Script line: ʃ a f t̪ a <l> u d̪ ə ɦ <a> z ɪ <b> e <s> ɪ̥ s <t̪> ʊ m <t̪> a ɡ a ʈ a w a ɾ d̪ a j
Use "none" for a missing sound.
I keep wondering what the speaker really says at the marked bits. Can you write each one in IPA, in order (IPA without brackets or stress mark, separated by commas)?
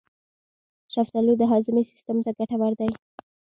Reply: l, ɑ, m, s, t̪, t̪